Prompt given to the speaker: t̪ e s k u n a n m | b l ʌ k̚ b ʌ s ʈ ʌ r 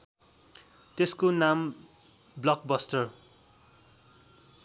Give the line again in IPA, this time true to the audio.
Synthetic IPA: t̪ e s k o n a m | b l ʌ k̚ b ʌ s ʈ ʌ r